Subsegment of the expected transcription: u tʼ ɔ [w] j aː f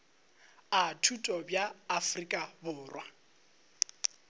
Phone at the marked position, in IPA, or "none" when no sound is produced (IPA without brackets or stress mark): b